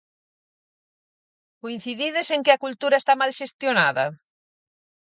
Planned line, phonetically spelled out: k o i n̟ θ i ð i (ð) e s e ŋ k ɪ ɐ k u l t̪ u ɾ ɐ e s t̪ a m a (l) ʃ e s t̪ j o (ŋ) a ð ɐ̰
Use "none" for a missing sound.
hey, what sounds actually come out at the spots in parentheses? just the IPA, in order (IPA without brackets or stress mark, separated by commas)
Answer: ð, l, n